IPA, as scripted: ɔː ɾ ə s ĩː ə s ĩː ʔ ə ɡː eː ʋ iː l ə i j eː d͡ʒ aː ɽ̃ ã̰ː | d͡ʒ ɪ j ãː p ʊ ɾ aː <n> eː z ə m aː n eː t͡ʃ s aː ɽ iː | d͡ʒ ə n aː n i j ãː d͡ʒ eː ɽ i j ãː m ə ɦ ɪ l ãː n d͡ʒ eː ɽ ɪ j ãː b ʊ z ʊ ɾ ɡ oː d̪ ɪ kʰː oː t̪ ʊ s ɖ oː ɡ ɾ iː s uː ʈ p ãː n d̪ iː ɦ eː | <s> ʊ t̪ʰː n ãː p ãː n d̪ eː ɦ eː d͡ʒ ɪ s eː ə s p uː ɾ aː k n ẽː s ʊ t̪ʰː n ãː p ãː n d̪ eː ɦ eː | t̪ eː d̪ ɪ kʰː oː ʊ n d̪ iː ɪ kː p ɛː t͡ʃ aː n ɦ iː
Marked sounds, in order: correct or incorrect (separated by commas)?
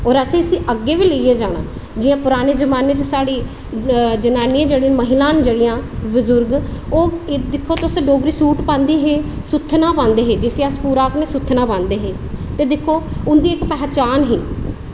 correct, correct